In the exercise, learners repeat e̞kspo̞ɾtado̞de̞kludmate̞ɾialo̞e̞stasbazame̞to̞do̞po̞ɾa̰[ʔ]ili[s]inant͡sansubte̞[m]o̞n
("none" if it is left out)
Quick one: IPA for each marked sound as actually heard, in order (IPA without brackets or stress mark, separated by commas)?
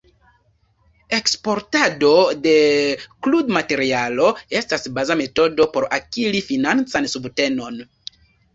k, f, n